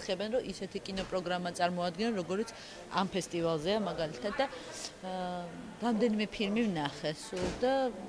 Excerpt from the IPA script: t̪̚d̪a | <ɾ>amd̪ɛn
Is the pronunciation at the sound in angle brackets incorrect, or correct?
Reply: correct